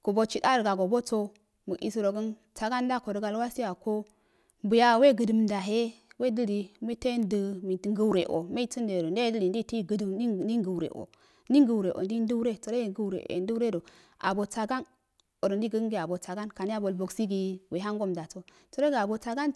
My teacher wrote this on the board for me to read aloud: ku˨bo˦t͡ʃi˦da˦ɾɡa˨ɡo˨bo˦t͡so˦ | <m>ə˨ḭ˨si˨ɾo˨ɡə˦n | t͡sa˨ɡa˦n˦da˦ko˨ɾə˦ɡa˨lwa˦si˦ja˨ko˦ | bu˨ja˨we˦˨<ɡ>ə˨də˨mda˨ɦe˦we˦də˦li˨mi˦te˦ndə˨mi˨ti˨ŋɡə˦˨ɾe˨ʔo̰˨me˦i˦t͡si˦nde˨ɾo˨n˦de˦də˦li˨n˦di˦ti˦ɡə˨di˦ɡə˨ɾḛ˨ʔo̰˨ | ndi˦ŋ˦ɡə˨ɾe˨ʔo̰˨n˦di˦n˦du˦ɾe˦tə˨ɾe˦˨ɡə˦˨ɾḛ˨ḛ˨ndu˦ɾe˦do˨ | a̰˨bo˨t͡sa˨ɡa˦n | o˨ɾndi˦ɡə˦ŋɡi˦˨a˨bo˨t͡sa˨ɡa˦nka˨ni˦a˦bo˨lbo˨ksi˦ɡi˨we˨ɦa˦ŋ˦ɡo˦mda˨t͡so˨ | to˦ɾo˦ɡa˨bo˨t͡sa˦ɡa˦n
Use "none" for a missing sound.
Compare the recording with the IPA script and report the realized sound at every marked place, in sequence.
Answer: m, ɡ

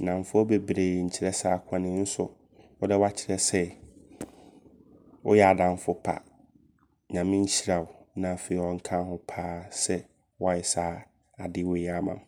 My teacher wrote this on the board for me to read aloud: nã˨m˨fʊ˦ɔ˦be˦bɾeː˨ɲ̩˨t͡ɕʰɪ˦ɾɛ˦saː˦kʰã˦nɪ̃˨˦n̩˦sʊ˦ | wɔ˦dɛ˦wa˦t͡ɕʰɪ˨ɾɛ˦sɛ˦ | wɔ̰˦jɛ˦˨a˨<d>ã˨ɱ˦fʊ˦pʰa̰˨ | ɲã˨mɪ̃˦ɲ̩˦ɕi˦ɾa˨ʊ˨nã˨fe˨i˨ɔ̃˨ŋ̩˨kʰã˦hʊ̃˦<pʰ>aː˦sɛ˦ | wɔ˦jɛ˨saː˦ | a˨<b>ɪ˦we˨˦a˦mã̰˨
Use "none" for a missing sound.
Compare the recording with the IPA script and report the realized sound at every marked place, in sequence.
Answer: d, pʰ, d

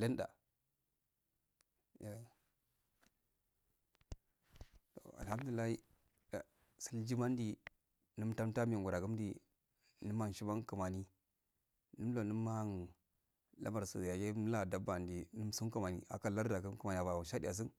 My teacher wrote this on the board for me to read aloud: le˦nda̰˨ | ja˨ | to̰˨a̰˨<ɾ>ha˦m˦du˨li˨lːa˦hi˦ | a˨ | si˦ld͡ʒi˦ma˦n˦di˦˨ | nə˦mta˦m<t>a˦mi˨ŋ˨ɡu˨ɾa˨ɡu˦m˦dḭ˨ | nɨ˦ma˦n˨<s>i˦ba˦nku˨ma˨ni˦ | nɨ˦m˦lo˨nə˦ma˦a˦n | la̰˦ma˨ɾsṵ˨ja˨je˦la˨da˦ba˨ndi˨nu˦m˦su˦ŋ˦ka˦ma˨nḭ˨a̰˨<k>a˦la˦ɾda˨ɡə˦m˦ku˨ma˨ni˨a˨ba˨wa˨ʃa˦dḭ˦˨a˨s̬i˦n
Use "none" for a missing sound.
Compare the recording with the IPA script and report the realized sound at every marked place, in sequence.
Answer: l, t, ʃ, k

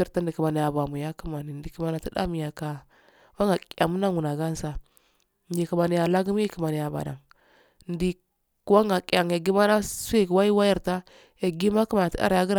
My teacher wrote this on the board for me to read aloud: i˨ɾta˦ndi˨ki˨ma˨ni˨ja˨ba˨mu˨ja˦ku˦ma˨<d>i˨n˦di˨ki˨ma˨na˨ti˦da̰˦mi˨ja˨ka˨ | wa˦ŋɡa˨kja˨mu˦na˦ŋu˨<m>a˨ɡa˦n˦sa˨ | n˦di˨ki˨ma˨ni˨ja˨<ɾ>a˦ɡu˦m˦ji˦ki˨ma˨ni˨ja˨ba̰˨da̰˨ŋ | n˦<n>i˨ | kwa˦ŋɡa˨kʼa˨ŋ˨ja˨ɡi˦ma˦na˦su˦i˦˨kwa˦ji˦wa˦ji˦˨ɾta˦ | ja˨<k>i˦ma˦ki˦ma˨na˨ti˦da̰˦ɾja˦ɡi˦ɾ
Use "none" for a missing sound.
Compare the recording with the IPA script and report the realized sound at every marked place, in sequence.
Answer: n, n, l, d, ɡ

